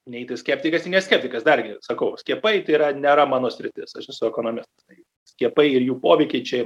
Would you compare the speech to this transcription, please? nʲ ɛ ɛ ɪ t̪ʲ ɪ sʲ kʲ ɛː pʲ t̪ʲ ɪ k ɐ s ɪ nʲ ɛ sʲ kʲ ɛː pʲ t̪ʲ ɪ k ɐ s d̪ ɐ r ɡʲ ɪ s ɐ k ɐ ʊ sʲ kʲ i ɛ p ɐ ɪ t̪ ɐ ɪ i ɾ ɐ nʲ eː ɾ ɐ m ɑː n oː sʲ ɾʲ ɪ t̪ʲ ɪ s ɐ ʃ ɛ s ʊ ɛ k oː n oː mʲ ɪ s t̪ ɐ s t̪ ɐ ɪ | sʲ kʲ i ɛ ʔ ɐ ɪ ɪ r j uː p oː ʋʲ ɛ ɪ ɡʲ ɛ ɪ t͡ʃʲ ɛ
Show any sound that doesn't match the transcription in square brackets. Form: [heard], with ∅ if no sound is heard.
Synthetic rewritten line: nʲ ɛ ɛ ɪ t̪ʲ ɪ sʲ kʲ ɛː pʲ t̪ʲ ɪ k ɐ s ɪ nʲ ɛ sʲ kʲ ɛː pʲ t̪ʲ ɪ k ɐ s d̪ ɐ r ɡʲ ɪ s ɐ k ɐ ʊ sʲ kʲ i ɛ p ɐ ɪ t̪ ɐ ɪ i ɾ ɐ nʲ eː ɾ ɐ m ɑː n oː sʲ ɾʲ ɪ t̪ʲ ɪ s ɐ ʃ ɛ s ʊ ɛ k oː n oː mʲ ɪ s t̪ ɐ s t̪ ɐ ɪ | sʲ kʲ i ɛ [p] ɐ ɪ ɪ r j uː p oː ʋʲ ɛ ɪ [kʲ] ɛ ɪ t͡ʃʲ ɛ